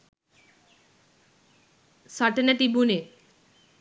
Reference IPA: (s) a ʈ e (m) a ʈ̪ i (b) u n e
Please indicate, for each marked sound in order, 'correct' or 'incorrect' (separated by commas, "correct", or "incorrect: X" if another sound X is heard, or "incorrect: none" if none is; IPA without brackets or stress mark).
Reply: correct, incorrect: n, correct